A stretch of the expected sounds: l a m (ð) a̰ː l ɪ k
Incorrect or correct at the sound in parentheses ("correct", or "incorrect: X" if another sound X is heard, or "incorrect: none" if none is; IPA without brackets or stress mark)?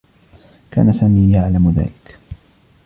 correct